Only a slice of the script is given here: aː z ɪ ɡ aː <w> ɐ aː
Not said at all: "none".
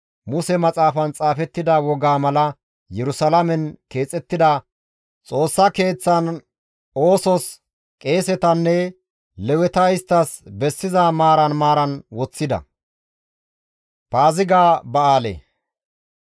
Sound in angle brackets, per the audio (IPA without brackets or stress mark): b